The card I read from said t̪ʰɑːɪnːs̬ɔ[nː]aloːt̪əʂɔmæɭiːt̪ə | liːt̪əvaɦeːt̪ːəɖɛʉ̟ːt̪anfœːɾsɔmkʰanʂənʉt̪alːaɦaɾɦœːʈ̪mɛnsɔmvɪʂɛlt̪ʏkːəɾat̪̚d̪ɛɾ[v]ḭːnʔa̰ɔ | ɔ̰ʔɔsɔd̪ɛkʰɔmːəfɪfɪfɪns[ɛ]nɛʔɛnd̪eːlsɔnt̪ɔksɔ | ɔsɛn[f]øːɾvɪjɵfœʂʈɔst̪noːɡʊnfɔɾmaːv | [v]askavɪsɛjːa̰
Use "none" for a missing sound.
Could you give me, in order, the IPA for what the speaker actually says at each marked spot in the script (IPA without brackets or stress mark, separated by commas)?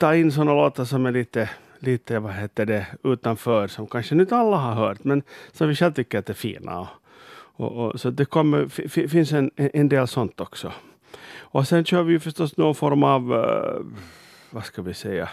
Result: nː, f, ɛ, ɕ, v